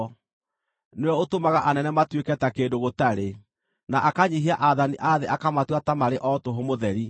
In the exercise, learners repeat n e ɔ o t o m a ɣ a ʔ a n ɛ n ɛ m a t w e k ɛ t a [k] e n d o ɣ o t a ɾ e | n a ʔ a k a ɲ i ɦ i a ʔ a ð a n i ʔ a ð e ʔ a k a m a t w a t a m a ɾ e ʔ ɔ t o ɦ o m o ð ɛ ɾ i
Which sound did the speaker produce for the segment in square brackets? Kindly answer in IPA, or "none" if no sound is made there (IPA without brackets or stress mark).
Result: k